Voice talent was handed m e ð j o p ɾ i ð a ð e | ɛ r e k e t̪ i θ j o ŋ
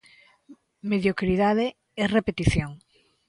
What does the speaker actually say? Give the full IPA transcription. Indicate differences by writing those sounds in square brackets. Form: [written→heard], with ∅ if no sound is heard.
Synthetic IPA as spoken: m e ð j o [p→k] ɾ i ð a ð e | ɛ r e [k→p] e t̪ i θ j o ŋ